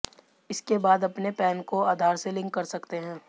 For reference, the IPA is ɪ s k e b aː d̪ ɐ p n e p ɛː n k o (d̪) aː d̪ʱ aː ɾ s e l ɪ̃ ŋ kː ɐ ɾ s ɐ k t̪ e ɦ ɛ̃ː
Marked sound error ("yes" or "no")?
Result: yes